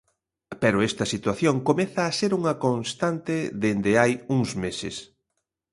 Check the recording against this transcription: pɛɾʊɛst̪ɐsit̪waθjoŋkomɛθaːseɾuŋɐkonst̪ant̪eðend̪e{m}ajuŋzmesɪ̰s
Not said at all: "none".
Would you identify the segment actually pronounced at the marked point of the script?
none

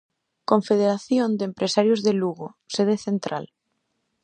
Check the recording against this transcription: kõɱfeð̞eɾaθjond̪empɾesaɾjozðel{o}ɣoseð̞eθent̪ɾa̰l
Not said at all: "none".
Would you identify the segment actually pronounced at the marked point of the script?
u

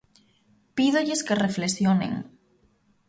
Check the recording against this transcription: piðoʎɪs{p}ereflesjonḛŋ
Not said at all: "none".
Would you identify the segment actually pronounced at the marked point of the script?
k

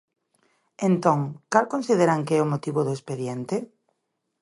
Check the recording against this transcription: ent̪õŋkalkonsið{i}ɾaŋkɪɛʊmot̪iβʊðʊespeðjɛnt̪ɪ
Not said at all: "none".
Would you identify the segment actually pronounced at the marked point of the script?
e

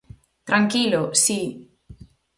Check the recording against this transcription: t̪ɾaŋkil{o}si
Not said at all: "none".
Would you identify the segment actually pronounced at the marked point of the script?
o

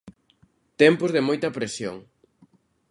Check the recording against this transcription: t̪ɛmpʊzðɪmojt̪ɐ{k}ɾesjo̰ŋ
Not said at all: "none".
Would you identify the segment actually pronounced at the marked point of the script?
p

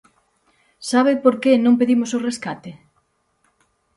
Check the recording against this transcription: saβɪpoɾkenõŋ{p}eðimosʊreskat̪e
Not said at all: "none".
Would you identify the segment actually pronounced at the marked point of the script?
p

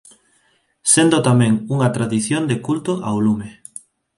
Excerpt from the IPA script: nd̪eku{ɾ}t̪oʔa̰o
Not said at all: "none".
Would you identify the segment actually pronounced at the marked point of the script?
l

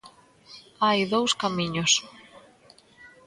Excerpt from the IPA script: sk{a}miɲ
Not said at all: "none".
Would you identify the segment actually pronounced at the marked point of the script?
a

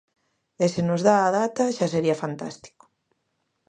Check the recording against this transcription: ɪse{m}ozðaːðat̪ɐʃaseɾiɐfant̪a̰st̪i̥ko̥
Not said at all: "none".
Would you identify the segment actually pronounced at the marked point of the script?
n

